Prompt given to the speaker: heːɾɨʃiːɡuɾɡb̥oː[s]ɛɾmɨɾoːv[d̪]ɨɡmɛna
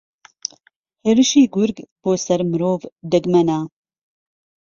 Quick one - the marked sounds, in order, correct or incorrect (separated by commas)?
correct, correct